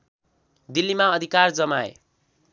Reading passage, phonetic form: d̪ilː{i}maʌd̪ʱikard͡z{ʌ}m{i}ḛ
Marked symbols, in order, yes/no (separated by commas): yes, yes, no